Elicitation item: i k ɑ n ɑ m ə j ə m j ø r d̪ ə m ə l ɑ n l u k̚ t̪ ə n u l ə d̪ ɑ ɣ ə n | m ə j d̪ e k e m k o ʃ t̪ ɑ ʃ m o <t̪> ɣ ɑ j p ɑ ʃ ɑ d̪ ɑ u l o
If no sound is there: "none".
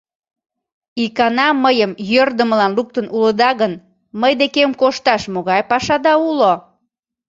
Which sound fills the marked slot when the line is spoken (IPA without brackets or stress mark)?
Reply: none